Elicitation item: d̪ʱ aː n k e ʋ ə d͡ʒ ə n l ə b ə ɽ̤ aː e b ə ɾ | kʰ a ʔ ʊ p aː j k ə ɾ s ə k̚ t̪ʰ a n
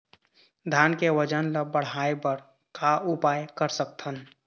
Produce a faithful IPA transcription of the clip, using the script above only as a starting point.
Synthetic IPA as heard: d̪ʱ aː n k e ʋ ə d͡ʒ ə n l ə b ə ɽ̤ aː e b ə ɾ | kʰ a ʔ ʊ p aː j k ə ɾ s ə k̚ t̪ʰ ə n

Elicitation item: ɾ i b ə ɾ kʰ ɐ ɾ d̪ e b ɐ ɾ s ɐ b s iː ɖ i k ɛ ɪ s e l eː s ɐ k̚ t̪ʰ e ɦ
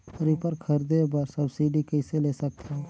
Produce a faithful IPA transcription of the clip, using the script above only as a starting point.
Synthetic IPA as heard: ɾ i p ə ɾ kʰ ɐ ɾ d̪ e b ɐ ɾ s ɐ b s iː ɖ i k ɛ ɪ s e l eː s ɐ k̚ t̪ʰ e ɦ

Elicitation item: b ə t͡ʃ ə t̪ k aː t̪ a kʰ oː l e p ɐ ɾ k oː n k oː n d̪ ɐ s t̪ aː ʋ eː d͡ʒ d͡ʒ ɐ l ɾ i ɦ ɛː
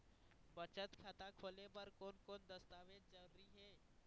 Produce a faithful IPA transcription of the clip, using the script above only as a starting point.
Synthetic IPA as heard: b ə t͡ʃ ə t̪ kʰ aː t̪ a kʰ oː l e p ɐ ɾ k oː n k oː n d̪ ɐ s t̪ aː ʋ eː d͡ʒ d͡ʒ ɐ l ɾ i ɦ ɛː

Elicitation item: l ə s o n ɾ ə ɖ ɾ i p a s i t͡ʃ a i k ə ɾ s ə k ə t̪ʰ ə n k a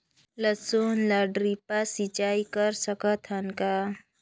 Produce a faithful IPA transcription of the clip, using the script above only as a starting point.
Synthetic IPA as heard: l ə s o n l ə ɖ ɾ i p a s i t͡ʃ a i k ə ɾ s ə k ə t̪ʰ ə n k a

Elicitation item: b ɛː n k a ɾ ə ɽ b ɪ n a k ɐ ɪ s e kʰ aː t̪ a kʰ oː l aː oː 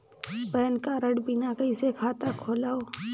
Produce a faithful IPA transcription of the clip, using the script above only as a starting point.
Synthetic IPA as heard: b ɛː n k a ɾ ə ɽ b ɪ n a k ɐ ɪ s e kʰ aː t̪ a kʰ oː l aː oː

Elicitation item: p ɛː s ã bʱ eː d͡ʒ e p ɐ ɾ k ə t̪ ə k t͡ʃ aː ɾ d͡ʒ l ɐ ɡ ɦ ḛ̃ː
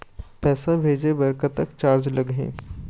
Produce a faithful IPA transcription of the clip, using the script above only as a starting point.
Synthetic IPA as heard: p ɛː s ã bʱ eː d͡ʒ e b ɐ ɾ k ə t̪ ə k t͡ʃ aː ɾ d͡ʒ l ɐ ɡ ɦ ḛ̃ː

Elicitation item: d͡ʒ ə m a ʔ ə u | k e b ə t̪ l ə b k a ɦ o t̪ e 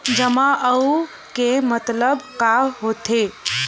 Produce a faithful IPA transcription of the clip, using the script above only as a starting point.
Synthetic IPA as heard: d͡ʒ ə m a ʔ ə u | k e m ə t̪ l ə b k a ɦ o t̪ e

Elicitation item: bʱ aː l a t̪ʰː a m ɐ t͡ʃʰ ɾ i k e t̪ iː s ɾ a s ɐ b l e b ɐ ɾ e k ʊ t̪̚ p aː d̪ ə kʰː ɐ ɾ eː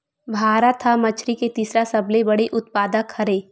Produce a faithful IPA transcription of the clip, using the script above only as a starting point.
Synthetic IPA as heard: bʱ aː ɾ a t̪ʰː a m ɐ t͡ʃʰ ɾ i k e t̪ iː s ɾ a s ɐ b l e b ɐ ɽ e ʔ ʊ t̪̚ p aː d̪ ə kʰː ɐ ɾ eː

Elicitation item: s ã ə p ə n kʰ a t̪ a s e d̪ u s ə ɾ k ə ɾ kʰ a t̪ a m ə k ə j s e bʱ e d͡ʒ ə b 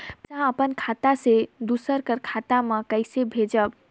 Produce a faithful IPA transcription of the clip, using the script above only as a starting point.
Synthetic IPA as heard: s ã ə p ə n kʰ a t̪ a s e d̪ u s ə ɾ k ə ɾ kʰ a t̪ a m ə k ə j s e bʱ e d͡ʒ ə b

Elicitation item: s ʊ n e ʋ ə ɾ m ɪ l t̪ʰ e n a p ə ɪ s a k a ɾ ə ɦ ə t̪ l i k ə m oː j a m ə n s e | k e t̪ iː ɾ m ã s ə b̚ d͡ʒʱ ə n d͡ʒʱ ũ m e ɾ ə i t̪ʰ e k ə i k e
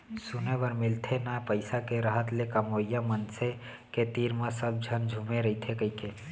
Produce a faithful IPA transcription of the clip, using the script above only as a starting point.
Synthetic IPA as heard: s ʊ n e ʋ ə ɾ m ɪ l t̪ʰ e n a p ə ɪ s a k e ɾ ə ɦ ə t̪ l e k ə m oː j a m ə n s e | k e t̪ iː ɾ m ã s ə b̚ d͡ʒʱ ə n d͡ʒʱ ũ m e ɾ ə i t̪ʰ e k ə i k e

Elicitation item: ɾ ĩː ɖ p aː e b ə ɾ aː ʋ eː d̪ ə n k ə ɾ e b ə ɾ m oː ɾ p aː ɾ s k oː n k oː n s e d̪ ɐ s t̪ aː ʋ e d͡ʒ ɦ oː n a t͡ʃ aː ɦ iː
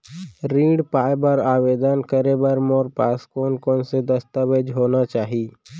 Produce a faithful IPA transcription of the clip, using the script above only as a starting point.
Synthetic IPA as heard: ɾ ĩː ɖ p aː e b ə ɾ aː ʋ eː d̪ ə n k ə ɾ e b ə ɾ m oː ɾ p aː s k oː n k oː n s e d̪ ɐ s t̪ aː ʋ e d͡ʒ ɦ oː n a t͡ʃ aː ɦ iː

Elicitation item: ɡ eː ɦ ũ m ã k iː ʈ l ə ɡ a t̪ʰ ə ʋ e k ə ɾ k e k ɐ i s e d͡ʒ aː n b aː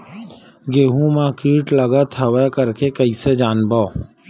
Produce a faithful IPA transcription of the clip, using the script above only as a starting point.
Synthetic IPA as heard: ɡ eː ɦ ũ m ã k iː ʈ l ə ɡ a t̪ʰ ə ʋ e k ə ɾ k e k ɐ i s e d͡ʒ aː n b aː

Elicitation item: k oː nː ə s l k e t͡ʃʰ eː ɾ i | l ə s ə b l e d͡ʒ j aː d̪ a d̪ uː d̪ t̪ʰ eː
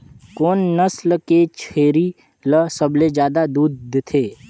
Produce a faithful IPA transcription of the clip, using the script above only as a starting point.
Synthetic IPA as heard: k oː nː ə s l k e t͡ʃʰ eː ɾ i | l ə s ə b l e d͡ʒ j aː d̪ a d̪ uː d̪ t̪ʰ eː

